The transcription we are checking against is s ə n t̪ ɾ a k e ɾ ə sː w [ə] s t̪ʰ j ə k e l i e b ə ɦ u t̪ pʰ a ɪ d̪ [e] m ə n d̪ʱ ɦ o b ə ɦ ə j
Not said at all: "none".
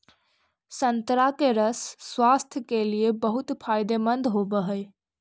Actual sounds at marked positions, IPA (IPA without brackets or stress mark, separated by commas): a, e